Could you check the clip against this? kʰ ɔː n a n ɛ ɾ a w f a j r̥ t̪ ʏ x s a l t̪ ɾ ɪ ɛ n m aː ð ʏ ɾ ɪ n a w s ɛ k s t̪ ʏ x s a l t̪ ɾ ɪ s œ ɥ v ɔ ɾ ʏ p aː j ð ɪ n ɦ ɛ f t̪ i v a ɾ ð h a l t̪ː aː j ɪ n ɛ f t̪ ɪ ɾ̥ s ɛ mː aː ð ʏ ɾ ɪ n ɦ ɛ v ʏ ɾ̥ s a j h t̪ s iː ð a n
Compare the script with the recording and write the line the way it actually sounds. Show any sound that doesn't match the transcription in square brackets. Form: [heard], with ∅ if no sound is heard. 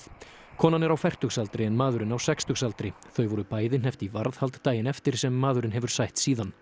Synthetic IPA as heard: kʰ ɔː n a n ɛ ɾ a w f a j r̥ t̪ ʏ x s a l t̪ ɾ ɪ ɛ n m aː ð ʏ ɾ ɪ n a w s ɛ k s t̪ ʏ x s a l t̪ ɾ ɪ [θ] œ ɥ v ɔ ɾ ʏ p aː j ð ɪ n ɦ ɛ f t̪ i v a ɾ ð h a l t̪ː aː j ɪ n ɛ f t̪ ɪ ɾ̥ s ɛ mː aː ð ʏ ɾ ɪ n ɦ ɛ v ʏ ɾ̥ s a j h t̪ s iː ð a n

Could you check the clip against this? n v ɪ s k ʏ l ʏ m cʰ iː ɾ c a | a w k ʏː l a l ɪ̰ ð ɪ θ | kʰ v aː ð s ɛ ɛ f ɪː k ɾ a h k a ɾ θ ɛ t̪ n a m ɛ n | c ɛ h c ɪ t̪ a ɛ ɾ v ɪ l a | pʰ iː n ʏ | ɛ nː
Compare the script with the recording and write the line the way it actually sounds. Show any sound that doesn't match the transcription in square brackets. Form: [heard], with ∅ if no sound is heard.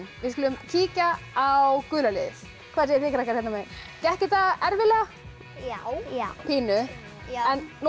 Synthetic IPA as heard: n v ɪ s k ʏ l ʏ m cʰ iː [∅] c a | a w k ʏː l a l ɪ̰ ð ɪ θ | kʰ v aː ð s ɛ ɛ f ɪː k ɾ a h k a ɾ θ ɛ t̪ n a m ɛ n | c ɛ h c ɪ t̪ a ɛ ɾ v ɪ l a | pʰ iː n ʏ | ɛ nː

